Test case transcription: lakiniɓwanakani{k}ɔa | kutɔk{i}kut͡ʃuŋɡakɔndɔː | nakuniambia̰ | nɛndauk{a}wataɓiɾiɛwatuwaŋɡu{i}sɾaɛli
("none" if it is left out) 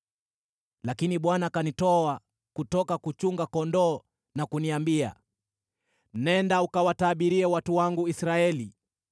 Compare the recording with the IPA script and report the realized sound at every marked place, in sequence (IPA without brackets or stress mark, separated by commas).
t, a, a, i